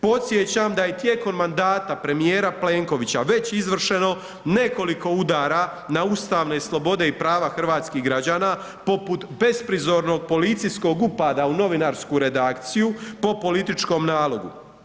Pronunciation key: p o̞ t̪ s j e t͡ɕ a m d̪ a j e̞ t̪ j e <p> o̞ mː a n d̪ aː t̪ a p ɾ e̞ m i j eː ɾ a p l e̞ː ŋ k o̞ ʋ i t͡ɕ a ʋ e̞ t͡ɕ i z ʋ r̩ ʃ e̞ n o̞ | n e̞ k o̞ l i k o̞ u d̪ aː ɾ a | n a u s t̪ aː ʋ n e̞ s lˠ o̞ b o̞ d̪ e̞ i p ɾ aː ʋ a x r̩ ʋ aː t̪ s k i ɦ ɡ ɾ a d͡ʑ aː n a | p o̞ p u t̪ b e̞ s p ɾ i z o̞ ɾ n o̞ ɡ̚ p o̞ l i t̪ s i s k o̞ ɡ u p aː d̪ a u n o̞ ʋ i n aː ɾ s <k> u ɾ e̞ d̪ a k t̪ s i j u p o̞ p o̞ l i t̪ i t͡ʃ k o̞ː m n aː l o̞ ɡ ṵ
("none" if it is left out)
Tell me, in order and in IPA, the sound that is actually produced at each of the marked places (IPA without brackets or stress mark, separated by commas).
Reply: k, k